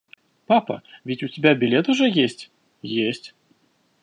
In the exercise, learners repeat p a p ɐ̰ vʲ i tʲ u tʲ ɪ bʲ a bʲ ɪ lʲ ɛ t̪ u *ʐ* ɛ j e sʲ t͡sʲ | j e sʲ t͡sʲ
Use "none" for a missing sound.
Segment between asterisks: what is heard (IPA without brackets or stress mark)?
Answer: ʐ